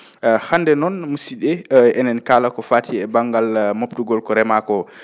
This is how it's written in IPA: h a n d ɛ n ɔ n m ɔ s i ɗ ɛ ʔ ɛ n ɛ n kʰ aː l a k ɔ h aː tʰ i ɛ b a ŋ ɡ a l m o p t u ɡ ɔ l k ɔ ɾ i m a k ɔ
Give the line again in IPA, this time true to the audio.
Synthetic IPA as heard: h a n d ɛ n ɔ n m u s i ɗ ɛ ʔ ɛ n ɛ n k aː l a k ɔ f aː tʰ i ɛ b a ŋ ɡ a l m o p t u ɡ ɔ l k ɔ ɾ ɛ m a k ɔ

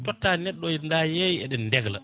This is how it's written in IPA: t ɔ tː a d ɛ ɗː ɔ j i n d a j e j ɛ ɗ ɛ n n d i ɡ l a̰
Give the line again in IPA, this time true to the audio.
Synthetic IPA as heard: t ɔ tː a n ɛ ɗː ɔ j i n d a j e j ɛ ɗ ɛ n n d ɛ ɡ l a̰

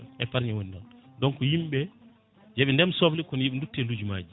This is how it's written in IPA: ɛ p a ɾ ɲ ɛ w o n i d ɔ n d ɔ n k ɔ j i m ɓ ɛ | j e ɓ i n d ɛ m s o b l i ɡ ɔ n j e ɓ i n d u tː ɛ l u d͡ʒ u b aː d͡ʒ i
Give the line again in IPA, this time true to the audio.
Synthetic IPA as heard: ɛ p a ɾ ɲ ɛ w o n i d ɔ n d ɔ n k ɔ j i m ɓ ɛ | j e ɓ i n d ɛ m s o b l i k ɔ n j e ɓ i n d u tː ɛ l u d͡ʒ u m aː d͡ʒ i

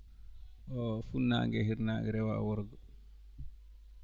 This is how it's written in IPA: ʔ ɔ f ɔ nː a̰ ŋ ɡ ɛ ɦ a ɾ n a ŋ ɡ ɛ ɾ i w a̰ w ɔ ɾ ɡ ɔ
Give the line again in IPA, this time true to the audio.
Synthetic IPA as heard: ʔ ɔ f u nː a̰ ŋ ɡ ɛ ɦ i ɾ n a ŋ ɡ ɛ ɾ ɛ w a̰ w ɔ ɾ ɡ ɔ

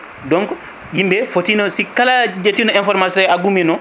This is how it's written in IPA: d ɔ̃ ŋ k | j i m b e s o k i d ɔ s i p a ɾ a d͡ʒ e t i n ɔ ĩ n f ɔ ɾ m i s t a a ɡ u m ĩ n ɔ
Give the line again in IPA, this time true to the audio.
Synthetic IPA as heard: d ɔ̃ ŋ k | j i m b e f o t i n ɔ s i k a l a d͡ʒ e t i n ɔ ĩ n f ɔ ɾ m a s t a a ɡ u m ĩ n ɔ

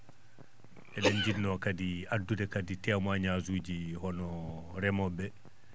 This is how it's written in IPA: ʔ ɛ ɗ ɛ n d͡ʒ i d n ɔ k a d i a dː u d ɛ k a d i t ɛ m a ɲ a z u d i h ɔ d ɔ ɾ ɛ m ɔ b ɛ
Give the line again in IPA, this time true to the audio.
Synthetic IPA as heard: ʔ ɛ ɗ ɛ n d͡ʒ i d n ɔ k a d i a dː u d ɛ k a d i t ɛ m a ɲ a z u d͡ʒ i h ɔ n ɔ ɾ ɛ m ɔ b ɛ

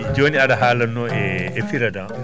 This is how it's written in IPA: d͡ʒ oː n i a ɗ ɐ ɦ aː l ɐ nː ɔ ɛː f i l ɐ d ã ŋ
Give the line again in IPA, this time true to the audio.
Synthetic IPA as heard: d͡ʒ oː n i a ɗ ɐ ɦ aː l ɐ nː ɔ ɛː f i ɾ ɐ d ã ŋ

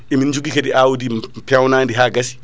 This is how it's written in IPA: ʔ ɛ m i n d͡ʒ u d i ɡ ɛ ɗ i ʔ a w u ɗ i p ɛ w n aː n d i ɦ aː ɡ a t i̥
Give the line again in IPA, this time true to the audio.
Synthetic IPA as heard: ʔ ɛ m i n d͡ʒ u ɡ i k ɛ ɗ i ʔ a w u d i p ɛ w n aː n d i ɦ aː ɡ a s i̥

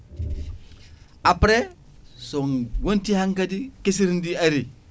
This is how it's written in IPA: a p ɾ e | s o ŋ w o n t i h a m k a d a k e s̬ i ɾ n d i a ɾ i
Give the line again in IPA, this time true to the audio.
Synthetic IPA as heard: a p ɾ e | s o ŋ w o n t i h a ŋ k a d i k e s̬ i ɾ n d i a ɾ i

